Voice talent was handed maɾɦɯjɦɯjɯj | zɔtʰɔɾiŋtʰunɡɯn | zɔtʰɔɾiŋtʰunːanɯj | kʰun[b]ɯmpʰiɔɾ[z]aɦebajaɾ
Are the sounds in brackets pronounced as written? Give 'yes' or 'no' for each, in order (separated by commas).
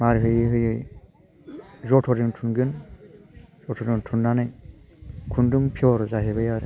no, yes